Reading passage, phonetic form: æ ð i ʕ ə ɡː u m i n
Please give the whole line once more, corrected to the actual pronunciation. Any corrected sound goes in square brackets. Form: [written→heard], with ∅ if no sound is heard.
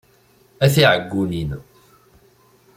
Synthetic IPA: æ [ð→θ] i ʕ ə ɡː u [m→n] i n